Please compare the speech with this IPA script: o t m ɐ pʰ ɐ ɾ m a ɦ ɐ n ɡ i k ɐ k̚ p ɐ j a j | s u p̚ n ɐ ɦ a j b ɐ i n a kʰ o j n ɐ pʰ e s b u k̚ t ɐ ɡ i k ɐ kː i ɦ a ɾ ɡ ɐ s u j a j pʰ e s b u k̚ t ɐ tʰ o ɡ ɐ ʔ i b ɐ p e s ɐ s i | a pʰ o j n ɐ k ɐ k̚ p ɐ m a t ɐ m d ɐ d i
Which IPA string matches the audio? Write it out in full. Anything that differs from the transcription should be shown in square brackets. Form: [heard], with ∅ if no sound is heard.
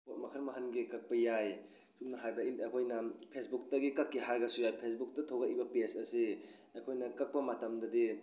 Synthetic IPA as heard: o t m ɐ [kʰ] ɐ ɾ m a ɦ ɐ n ɡ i k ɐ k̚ p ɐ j a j | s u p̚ n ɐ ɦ a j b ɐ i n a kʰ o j n ɐ pʰ e s b u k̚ t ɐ ɡ i k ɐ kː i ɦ a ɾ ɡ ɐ s u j a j pʰ e s b u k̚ t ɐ tʰ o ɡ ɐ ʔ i b ɐ p e s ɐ s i | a [kʰ] o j n ɐ k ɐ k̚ p ɐ m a t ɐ m d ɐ d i